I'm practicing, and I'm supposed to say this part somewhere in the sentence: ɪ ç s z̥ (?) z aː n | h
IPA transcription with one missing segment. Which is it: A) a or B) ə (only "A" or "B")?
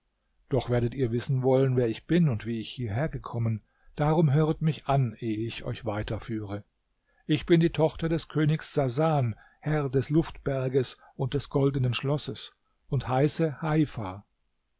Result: A